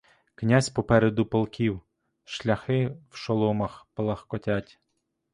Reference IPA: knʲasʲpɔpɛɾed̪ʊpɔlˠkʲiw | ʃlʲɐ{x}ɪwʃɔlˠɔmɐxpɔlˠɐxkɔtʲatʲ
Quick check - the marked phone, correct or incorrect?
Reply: correct